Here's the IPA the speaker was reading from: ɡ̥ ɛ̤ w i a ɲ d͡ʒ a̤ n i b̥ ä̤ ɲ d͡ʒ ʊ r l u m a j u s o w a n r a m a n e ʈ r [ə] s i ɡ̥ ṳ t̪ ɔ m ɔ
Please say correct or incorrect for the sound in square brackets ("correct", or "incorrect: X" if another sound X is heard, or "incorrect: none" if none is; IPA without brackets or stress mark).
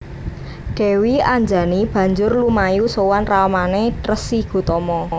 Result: correct